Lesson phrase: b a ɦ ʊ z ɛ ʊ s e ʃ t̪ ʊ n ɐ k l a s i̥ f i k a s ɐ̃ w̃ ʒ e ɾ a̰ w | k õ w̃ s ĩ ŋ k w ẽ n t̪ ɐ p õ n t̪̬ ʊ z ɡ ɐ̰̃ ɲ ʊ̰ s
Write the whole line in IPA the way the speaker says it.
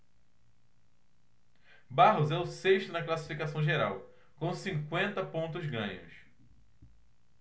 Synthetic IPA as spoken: b a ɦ ʊ z ɛ ʊ s e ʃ t̪ ʊ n ɐ k l a s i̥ f i k a s ɐ̃ w̃ ʒ e ɾ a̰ w | k õ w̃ s ĩ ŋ k w ẽ n t̪ ɐ p õ n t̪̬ ʊ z ɡ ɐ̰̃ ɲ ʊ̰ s